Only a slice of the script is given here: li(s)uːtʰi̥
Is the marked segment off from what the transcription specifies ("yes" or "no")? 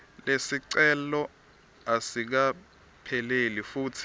yes